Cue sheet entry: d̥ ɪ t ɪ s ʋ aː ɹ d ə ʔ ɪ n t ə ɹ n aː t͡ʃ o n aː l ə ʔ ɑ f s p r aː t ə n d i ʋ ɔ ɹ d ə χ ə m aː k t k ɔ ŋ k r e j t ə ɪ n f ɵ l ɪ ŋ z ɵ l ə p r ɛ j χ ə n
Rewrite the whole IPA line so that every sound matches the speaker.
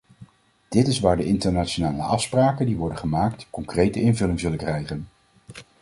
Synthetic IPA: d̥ ɪ t ɪ s ʋ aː ɹ d ə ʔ ɪ n t ə ɹ n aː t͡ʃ o n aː l ə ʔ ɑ f s p r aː k ə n d i ʋ ɔ ɹ d ə χ ə m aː k t k ɔ ŋ k r e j t ə ɪ n v ɵ l ɪ ŋ z ɵ l ə k r ɛ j χ ə n